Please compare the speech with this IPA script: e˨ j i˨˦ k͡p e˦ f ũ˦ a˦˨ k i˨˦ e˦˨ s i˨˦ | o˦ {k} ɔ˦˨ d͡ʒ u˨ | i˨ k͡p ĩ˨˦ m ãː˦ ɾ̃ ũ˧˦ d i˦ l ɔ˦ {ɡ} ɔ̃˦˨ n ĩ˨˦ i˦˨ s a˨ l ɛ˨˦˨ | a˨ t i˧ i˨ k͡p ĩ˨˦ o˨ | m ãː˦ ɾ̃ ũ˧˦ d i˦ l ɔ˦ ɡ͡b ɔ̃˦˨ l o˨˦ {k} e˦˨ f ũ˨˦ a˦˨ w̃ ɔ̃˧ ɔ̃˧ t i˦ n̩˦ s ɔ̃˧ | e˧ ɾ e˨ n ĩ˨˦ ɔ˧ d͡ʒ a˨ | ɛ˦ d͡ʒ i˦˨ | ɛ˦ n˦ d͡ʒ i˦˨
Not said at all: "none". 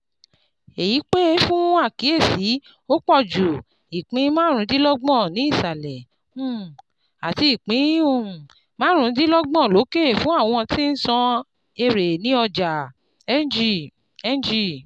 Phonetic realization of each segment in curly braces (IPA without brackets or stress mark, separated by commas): k͡p, ɡ͡b, k